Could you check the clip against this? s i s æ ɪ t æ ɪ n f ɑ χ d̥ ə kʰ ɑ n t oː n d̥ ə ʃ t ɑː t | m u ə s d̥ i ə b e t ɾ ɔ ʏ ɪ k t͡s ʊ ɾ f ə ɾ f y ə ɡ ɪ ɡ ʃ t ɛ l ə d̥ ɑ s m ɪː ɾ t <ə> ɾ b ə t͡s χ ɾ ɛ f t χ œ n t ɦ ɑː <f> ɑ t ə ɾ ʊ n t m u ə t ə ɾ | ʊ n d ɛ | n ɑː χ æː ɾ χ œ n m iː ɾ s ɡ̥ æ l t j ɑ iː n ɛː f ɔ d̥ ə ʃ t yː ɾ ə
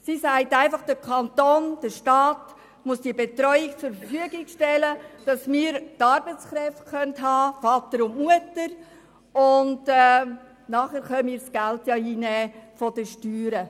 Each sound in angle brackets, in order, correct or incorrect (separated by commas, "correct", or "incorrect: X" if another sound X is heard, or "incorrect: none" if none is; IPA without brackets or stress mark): incorrect: ɑ, correct